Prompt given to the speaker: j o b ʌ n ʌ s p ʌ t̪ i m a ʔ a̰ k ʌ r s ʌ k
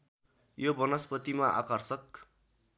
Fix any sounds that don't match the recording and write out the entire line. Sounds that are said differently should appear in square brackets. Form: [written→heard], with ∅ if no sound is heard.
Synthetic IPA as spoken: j o b ʌ n ʌ s p ʌ t̪ i m a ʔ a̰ k ʌ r s ʌ k